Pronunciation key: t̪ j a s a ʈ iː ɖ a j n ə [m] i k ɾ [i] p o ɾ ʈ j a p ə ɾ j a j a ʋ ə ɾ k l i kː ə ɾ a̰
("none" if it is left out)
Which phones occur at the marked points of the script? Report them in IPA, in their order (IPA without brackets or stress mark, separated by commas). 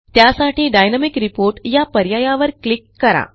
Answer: m, i